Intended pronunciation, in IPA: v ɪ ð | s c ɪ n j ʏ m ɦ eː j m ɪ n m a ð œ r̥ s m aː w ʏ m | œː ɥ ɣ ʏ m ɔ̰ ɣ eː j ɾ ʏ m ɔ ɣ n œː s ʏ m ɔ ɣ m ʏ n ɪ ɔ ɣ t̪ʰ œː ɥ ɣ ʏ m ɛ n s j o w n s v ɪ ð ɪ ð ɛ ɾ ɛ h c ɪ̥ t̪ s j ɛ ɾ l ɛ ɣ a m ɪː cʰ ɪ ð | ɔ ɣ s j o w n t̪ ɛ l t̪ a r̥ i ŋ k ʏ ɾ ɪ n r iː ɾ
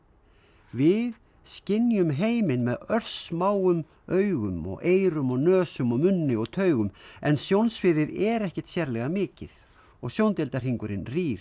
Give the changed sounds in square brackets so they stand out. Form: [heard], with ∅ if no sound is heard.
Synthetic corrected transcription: v ɪ ð | s c ɪ n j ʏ m ɦ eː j m ɪ n m [ɛ] ð œ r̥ s m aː w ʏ m | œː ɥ ɣ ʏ m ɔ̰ ɣ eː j ɾ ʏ m ɔ ɣ n œː s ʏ m ɔ ɣ m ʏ [nː] ɪ ɔ ɣ t̪ʰ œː ɥ ɣ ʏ m ɛ n s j o w n s v ɪ ð ɪ ð ɛ ɾ ɛ h c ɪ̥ t̪ s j ɛ ɾ l ɛ ɣ a m ɪː [c] ɪ ð | ɔ ɣ s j o w n t̪ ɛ l t̪ a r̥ i ŋ k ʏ ɾ ɪ n r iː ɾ